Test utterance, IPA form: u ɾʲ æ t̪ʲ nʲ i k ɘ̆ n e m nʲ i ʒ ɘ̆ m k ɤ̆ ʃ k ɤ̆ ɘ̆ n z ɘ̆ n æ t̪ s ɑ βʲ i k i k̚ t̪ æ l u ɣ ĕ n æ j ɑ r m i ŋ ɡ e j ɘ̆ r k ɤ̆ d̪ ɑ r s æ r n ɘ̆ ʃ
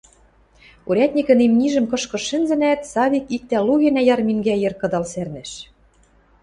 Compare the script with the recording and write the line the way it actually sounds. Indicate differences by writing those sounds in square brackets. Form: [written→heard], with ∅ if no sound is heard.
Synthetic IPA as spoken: u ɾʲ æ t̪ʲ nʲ i k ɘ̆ n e m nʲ i ʒ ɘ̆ m k ɤ̆ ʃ k ɤ̆ ɘ̆ n z ɘ̆ n æ t̪ s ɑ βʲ i k i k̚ t̪ æ l u ɣ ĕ n æ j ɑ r m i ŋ ɡ [e→æ] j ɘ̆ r k ɤ̆ d̪ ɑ [r→l] s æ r n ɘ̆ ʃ